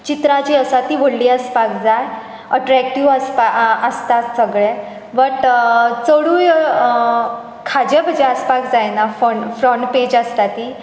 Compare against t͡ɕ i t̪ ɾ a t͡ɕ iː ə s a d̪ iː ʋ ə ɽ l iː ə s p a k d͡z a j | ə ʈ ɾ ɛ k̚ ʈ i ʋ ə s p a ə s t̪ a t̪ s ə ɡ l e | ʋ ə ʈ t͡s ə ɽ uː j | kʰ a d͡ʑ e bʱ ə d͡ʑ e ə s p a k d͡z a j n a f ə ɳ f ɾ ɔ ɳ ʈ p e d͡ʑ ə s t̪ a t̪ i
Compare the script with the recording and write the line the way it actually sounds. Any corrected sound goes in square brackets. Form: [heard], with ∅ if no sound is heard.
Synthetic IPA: t͡ɕ i t̪ ɾ a t͡ɕ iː ə s a [t̪] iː ʋ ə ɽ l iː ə s p a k d͡z a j | ə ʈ ɾ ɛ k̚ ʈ i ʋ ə s p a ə s t̪ a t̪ s ə ɡ [ɭ] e | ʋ ə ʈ t͡s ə ɽ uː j | kʰ a d͡ʑ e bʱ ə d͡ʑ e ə s p a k d͡z a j n a f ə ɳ f ɾ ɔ ɳ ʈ p e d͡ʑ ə s t̪ a t̪ i